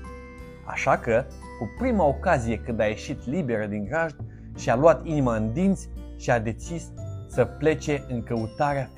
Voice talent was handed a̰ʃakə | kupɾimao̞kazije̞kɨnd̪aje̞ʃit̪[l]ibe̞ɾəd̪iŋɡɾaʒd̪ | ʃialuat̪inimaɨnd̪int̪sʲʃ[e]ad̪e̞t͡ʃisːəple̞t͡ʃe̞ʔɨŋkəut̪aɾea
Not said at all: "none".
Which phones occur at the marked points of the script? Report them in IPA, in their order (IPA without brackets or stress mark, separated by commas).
l, i